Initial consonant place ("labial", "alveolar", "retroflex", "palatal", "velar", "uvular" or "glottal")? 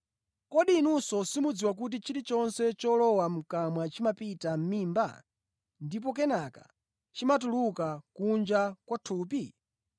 velar